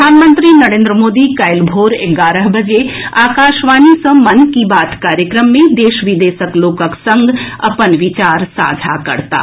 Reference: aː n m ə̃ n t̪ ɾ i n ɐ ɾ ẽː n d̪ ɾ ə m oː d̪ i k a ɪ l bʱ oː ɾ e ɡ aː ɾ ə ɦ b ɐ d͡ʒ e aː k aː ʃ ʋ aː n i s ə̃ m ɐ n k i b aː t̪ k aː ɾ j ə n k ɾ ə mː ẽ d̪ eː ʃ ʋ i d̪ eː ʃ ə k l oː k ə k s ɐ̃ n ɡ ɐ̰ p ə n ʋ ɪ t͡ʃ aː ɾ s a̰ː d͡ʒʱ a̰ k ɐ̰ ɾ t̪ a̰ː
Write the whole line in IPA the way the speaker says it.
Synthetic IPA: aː n m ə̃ n t̪ ɾ i n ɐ ɾ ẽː n d̪ ɾ ə m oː d̪ i k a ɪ l bʱ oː ɾ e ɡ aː ɾ ə ɦ b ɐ d͡ʒ e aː k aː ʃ ʋ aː n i s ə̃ m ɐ n k i b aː t̪ k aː ɾ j ə k ɾ ə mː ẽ d̪ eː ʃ ʋ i d̪ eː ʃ ə k l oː k ə k s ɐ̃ ŋ ɡ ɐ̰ p ə n ʋ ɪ t͡ʃ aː ɾ s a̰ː d͡ʒʱ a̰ k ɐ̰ ɾ t̪ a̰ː